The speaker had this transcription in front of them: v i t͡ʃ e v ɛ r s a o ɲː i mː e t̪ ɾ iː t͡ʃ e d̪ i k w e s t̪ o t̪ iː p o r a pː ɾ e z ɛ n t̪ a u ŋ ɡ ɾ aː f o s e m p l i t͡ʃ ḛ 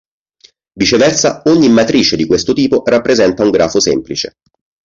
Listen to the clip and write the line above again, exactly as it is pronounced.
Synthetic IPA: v i t͡ʃ e v ɛ r s a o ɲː i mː a t̪ ɾ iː t͡ʃ e d̪ i k w e s t̪ o t̪ iː p o r a pː ɾ e z ɛ n t̪ a u ŋ ɡ ɾ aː f o s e m p l i t͡ʃ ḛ